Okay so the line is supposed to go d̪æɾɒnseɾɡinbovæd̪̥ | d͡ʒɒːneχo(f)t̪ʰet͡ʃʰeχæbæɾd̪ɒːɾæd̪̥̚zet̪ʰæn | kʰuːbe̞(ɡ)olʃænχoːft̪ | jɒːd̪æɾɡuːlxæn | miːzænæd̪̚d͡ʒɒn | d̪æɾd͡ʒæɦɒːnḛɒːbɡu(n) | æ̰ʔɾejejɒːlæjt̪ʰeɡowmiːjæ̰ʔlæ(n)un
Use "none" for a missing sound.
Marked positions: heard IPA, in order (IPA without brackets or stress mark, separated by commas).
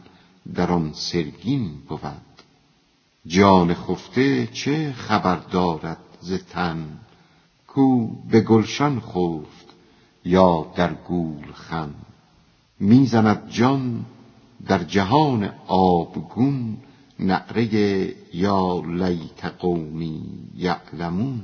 f, ɡ, nː, m